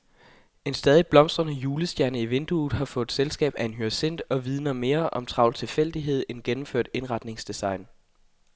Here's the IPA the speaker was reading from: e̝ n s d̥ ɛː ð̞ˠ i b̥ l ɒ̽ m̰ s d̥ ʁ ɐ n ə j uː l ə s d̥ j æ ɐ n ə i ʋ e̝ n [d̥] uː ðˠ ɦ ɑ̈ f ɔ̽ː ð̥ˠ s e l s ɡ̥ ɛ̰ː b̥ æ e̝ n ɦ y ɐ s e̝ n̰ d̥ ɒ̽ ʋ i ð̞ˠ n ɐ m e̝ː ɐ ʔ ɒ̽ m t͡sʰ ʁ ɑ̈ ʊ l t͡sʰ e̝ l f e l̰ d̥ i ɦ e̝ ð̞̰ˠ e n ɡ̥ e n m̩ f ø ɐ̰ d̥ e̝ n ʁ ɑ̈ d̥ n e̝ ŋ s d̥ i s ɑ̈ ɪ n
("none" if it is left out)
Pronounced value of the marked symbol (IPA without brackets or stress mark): d̥